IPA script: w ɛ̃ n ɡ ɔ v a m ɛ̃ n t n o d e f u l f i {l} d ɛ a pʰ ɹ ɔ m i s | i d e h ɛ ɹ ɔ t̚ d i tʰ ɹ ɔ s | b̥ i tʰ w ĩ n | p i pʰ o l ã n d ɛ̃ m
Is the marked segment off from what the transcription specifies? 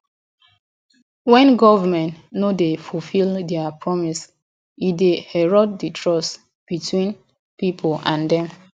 no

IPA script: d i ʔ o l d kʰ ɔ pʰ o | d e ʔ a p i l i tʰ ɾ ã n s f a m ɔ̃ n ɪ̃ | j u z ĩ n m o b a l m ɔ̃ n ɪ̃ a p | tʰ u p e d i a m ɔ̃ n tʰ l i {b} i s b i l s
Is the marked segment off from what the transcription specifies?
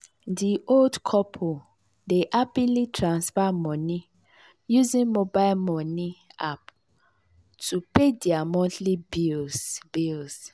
no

